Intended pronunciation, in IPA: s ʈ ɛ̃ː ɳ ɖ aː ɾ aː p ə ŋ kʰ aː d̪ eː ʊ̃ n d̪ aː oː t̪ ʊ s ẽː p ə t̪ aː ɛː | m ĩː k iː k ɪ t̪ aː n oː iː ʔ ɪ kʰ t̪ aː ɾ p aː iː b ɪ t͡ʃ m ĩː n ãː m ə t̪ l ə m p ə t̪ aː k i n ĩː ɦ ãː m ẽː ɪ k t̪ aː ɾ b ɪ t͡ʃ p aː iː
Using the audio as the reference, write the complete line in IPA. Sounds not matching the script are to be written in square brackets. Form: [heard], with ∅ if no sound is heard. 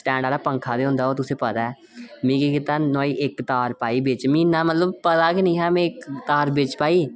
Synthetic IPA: s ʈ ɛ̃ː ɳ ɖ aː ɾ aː p ə ŋ kʰ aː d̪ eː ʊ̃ n d̪ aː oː t̪ ʊ s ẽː p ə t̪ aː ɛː | m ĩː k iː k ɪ t̪ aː n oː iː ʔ ɪ [k] t̪ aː ɾ p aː iː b ɪ t͡ʃ m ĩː n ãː m ə t̪ l ə [b] p ə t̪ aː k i n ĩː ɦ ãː m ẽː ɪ k t̪ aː ɾ b ɪ t͡ʃ p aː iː